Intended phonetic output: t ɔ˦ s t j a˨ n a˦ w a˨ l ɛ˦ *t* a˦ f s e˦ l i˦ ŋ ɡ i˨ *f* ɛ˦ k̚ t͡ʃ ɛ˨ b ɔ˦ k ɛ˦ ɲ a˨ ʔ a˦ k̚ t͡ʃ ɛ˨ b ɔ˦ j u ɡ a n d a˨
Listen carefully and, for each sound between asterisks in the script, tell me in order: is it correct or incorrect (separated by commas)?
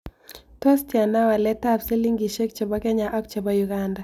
correct, incorrect